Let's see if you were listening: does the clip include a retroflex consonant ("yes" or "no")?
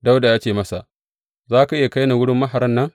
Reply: yes